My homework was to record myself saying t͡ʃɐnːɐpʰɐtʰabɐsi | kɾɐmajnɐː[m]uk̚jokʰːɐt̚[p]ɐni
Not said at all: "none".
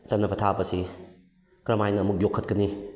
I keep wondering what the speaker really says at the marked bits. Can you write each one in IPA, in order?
m, k

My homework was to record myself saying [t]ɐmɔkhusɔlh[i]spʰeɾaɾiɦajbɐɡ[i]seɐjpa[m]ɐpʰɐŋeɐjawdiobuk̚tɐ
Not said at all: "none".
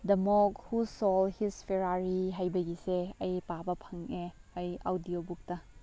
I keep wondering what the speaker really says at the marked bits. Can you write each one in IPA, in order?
d, i, i, b

